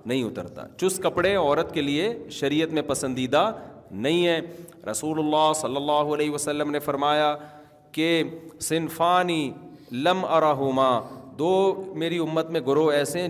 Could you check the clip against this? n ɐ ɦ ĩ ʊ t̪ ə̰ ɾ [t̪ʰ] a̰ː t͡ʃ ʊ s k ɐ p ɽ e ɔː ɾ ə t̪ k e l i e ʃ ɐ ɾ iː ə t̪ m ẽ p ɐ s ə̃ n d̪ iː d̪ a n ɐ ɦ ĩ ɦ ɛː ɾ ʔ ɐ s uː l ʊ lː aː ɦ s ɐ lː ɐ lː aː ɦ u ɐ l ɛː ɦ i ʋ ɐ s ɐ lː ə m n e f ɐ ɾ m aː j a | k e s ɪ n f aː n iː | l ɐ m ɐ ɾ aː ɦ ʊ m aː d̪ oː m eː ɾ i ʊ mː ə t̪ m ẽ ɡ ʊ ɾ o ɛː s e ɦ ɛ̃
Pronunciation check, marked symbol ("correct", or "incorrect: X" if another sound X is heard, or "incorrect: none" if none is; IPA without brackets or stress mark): incorrect: t̪